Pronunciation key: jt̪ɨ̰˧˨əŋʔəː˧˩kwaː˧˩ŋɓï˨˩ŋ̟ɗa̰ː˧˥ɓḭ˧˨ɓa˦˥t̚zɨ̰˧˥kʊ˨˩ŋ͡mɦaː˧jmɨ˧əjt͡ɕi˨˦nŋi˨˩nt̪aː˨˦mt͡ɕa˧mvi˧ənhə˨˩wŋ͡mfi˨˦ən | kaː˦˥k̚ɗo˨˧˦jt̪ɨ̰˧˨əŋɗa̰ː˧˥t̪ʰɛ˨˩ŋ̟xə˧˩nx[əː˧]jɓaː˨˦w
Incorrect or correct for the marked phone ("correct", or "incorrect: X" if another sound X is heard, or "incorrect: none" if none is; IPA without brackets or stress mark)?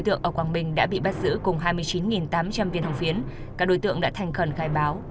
incorrect: aː˧